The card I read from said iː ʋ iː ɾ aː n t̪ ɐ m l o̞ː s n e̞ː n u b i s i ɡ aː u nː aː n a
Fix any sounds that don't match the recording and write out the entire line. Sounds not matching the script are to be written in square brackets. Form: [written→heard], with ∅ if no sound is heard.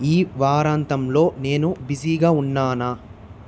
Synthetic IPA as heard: iː ʋ [iː→aː] ɾ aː n t̪ ɐ m l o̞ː [s→∅] n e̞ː n u b i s i ɡ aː u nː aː n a